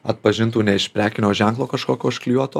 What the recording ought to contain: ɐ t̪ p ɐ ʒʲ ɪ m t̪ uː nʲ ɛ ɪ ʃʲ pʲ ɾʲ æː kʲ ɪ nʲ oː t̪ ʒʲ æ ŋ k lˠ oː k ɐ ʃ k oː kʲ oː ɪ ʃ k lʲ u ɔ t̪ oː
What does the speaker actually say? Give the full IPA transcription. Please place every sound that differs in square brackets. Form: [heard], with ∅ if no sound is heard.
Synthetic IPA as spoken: ɐ t̪ p ɐ ʒʲ ɪ [n] t̪ uː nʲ ɛ ɪ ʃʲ pʲ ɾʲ æː kʲ ɪ nʲ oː [∅] ʒʲ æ ŋ k lˠ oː k ɐ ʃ k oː kʲ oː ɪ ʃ k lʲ u ɔ t̪ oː